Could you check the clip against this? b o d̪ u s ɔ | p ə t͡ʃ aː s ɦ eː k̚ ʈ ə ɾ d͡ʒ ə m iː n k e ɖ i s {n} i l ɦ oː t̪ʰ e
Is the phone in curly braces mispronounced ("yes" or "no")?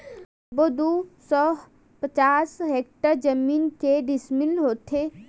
yes